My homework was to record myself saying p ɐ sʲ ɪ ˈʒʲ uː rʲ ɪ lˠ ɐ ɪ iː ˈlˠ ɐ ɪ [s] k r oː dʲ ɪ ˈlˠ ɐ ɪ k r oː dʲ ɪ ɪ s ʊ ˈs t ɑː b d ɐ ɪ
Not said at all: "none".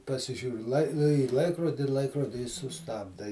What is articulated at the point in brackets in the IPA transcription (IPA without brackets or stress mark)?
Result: none